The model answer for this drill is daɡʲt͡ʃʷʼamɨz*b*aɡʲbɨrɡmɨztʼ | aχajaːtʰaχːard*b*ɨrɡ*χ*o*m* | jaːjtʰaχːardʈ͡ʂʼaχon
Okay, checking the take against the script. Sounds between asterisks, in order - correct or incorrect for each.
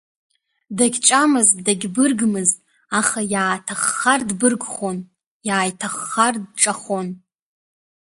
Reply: incorrect: d, correct, correct, incorrect: n

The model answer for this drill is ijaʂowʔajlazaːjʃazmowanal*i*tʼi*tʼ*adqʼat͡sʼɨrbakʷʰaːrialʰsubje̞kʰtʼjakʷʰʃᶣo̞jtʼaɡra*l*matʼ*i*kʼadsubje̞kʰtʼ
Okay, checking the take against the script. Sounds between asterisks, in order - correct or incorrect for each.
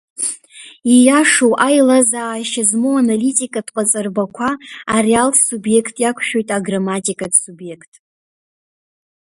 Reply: correct, incorrect: kʼ, incorrect: none, correct

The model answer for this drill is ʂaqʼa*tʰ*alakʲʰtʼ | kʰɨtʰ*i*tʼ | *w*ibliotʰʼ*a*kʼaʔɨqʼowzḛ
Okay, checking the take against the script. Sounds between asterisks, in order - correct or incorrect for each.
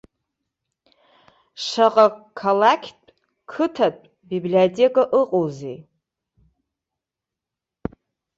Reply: incorrect: kʰ, incorrect: a, incorrect: b, incorrect: e

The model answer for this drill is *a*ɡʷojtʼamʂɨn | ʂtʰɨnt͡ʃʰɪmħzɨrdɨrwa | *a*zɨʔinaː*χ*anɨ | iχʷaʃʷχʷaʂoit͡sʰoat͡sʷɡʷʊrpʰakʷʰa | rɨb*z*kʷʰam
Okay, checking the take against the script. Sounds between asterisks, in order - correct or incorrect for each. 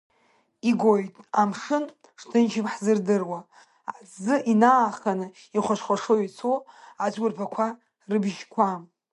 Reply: incorrect: i, correct, correct, incorrect: ʒ

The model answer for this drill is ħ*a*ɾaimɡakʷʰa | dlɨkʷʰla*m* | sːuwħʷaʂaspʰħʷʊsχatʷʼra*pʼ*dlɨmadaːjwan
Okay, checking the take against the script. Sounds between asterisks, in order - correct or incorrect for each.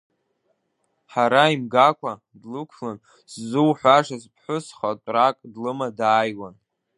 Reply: correct, incorrect: n, incorrect: kʼ

